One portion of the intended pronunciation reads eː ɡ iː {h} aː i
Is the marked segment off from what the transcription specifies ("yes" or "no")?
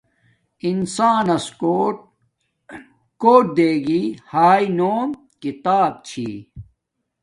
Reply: no